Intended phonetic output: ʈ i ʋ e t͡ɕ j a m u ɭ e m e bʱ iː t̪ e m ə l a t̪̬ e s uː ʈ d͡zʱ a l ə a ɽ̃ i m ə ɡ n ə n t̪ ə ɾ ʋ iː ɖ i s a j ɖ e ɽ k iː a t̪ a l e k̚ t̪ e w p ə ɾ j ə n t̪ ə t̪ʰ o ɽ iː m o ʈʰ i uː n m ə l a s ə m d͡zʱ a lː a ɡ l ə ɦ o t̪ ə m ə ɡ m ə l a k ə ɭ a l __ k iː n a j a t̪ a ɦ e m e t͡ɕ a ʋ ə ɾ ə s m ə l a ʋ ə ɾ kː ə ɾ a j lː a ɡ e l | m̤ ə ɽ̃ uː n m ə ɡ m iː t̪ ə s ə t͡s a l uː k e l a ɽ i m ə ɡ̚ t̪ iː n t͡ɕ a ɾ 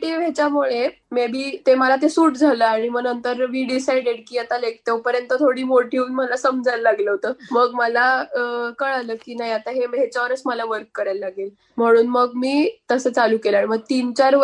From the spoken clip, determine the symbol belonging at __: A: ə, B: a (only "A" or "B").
A